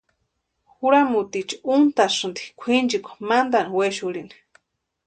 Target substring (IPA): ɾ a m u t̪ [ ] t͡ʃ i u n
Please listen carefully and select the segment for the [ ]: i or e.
i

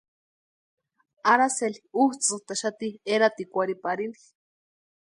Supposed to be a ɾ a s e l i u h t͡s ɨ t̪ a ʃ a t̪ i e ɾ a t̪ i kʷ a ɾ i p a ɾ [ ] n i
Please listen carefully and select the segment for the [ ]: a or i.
i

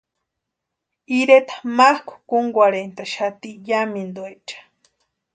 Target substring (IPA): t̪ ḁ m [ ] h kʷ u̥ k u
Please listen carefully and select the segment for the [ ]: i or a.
a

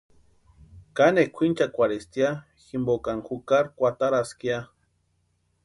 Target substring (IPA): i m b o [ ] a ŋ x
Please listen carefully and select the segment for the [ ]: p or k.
k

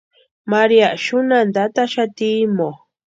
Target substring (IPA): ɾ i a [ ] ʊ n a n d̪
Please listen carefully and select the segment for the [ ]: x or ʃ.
ʃ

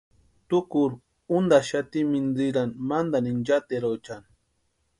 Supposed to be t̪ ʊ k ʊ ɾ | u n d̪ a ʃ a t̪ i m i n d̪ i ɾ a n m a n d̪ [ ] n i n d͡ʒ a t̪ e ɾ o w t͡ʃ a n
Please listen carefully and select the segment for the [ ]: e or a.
a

